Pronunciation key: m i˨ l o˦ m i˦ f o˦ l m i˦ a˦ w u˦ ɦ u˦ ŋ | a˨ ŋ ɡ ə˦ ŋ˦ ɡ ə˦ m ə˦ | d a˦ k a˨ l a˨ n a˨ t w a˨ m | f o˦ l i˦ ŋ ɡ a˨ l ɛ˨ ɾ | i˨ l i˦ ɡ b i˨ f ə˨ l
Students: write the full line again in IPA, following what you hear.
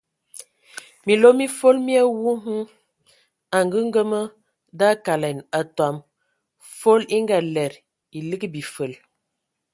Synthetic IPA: m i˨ l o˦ m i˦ f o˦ l m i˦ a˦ w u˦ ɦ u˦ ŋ | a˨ ŋ ɡ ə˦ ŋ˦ ɡ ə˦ m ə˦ | d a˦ k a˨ l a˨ n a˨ t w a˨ m | f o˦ l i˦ ŋ ɡ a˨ l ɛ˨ ɾ | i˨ l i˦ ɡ b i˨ f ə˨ l